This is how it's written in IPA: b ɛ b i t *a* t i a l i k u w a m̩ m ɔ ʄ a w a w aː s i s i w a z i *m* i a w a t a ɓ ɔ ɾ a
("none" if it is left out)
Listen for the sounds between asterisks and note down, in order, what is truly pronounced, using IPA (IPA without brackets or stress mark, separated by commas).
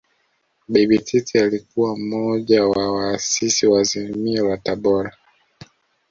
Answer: i, m